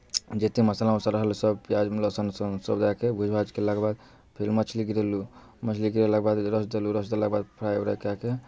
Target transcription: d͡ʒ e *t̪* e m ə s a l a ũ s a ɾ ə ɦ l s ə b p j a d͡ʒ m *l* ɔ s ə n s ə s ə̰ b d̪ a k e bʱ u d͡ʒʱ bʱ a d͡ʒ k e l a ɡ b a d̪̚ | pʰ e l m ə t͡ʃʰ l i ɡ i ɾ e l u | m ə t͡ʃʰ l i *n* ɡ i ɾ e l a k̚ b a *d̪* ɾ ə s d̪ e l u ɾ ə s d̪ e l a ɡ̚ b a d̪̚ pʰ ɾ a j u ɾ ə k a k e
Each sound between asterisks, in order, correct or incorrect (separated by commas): correct, correct, incorrect, correct